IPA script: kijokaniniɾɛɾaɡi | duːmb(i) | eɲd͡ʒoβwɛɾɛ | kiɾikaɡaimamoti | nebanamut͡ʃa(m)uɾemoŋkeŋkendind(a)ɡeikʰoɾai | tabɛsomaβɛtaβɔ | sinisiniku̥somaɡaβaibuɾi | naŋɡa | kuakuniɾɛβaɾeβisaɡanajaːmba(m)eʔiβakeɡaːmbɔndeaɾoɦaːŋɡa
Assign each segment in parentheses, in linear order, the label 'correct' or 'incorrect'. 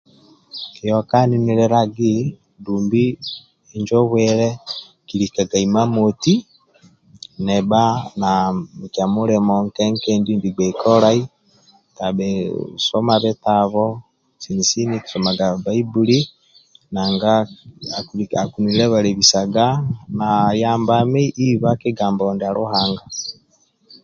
correct, correct, incorrect: i, correct

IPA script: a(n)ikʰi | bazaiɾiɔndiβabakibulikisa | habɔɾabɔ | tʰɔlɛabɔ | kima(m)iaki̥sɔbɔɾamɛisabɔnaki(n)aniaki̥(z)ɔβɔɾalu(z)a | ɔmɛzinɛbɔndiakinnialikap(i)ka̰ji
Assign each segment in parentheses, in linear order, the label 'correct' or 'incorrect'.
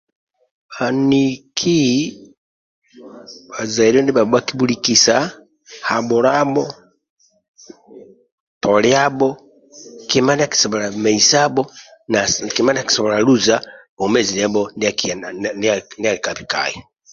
correct, incorrect: n, incorrect: m, incorrect: s, correct, correct

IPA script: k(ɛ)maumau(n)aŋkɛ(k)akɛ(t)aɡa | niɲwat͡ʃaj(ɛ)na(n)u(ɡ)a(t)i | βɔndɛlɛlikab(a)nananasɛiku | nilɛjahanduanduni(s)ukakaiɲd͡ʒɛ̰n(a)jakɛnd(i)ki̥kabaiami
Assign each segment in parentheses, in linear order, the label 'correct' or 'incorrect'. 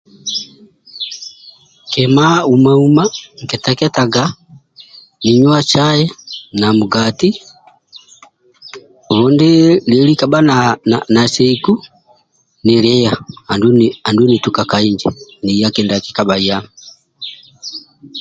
correct, incorrect: m, incorrect: t, correct, correct, incorrect: m, correct, correct, correct, incorrect: t, incorrect: i, incorrect: a

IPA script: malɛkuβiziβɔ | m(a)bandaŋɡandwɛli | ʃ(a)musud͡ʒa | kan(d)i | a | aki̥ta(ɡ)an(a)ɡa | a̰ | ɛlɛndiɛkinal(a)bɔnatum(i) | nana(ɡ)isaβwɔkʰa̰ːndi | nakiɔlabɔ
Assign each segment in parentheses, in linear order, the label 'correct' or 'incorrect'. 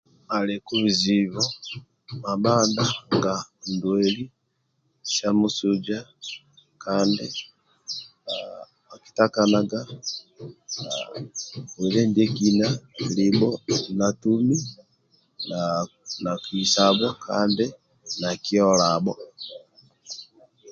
correct, correct, correct, incorrect: k, correct, incorrect: i, correct, incorrect: k

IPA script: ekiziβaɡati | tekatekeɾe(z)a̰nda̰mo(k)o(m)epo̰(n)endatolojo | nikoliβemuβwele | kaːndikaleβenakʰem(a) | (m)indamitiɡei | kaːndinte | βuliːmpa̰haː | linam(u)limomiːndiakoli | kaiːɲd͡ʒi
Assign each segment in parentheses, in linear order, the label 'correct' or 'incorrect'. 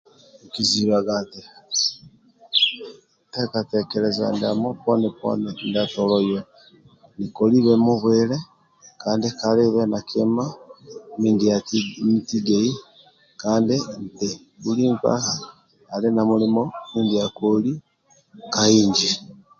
correct, incorrect: p, incorrect: n, correct, correct, correct, correct

